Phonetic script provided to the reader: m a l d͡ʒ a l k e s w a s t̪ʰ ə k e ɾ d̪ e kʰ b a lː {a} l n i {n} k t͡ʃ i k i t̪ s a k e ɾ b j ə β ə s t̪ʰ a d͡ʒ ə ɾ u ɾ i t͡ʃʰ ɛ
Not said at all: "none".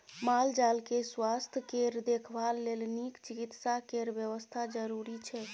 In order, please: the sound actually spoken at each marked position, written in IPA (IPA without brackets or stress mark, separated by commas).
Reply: e, none